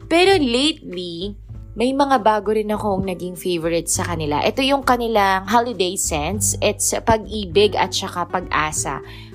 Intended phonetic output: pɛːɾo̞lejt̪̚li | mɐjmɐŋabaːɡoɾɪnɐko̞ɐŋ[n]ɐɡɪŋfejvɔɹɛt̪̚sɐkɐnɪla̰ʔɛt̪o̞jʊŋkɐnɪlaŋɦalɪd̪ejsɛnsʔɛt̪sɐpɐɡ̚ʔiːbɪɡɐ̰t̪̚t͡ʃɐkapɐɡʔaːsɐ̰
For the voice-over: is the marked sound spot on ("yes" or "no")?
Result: yes